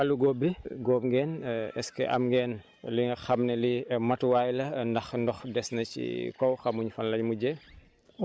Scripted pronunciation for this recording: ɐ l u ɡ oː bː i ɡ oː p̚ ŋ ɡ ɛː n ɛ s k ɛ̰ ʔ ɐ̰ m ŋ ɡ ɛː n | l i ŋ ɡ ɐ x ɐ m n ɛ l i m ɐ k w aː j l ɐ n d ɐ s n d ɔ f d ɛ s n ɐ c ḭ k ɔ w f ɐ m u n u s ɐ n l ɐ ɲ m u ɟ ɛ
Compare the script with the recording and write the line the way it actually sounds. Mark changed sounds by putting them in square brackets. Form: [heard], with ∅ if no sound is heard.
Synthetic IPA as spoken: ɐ l u ɡ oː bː i ɡ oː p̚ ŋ ɡ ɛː n ɛ s k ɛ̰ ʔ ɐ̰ m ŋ ɡ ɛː n | l i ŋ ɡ ɐ x ɐ m n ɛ l i m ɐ [t] w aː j l ɐ n d ɐ [x] n d ɔ [x] d ɛ s n ɐ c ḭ k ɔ w [x] ɐ m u [ɲ] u [f] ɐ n l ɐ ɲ m u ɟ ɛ